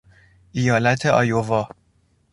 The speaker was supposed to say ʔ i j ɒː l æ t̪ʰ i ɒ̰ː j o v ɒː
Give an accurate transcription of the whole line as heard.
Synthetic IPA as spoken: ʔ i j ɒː l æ t̪ʰ e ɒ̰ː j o v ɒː

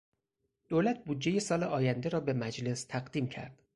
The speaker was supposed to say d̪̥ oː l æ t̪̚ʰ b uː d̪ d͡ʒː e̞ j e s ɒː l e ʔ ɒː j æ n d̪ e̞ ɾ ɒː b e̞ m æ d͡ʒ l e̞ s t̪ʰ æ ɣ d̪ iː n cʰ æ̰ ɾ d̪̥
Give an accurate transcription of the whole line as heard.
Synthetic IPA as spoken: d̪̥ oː l æ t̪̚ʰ b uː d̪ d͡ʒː e̞ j e s ɒː l e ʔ ɒː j æ n d̪ e̞ ɾ ɒː b e̞ m æ d͡ʒ l e̞ s t̪ʰ æ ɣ d̪ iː m cʰ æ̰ ɾ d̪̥

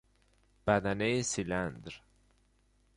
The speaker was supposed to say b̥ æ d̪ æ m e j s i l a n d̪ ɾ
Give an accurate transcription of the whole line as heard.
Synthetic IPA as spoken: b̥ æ d̪ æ n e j s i l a n d̪ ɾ

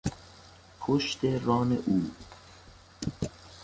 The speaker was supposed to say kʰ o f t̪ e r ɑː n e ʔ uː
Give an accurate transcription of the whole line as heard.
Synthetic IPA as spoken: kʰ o ʃ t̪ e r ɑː n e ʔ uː

